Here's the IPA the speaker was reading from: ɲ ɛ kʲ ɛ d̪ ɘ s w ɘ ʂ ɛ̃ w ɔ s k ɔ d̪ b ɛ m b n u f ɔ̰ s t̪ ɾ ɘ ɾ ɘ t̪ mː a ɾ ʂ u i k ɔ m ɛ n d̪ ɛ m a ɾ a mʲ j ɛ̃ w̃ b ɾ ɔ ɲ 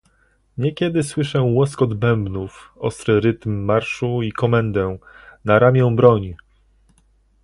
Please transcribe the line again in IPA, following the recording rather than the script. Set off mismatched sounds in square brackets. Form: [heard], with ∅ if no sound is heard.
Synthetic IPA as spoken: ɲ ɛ kʲ ɛ d̪ ɘ s w ɘ ʂ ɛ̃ w ɔ s k ɔ d̪ b ɛ m b n u f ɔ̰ s t̪ ɾ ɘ ɾ ɘ t̪ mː a ɾ ʂ u i k ɔ m ɛ n d̪ ɛ [n] a ɾ a mʲ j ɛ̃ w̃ b ɾ ɔ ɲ